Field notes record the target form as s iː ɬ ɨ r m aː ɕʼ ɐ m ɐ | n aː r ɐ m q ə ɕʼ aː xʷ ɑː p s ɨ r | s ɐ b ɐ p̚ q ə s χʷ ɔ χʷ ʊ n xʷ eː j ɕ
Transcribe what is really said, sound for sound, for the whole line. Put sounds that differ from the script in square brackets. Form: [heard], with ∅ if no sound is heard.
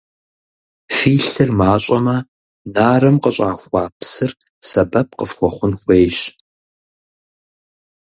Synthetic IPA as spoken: [f] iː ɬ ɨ r m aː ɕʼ ɐ m ɐ | n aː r ɐ m q ə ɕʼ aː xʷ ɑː p s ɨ r | s ɐ b ɐ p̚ q ə [f] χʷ ɔ χʷ ʊ n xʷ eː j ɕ